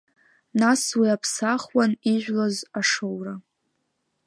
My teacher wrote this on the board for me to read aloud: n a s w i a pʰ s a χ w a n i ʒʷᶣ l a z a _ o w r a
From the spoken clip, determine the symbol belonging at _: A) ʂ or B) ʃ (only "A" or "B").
A